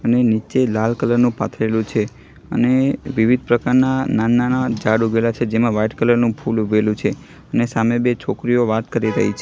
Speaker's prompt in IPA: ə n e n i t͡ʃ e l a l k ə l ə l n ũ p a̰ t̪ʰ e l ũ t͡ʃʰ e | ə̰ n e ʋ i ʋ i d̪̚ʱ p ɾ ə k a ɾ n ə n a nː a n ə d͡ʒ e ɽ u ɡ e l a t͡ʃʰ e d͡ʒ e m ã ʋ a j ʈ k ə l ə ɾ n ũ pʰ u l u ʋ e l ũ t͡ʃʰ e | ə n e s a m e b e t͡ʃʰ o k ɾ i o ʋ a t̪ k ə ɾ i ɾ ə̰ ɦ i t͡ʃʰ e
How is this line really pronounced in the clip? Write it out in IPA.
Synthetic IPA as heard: ə n e n i t͡ʃ e l a l k ə l ə ɾ n ũ p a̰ t̪ʰ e l ũ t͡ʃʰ e | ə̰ n e ʋ i ʋ i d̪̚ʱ p ɾ ə k a ɾ n a n a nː a n a d͡ʒ a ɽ u ɡ e l a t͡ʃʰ e d͡ʒ e m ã ʋ a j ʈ k ə l ə ɾ n ũ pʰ u l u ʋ e l ũ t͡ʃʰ e | ə n e s a m e b e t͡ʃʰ o k ɾ i o ʋ a t̪ k ə ɾ i ɾ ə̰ ɦ i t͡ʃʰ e